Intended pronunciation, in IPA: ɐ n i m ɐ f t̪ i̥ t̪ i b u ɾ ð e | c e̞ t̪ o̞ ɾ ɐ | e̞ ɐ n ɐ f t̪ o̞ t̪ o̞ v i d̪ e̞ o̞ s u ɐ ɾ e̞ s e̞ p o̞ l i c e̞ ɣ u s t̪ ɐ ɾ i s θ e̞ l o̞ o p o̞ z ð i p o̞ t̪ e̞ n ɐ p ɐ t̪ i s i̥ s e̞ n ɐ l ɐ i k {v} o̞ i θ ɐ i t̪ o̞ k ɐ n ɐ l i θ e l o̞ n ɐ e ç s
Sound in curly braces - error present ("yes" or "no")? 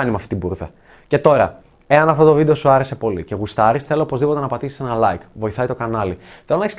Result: no